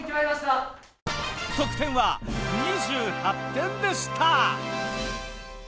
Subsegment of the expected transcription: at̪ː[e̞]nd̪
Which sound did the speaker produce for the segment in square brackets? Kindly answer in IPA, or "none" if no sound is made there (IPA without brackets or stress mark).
ẽ̞